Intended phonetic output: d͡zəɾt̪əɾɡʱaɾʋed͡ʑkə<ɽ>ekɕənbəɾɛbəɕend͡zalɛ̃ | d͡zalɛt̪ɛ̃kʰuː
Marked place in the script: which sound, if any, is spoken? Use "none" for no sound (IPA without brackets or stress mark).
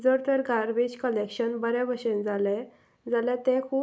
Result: l